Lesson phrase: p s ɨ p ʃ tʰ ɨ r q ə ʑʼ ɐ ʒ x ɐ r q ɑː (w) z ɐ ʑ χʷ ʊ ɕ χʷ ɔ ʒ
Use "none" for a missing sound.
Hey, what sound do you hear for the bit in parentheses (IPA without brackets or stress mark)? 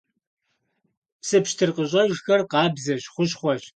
b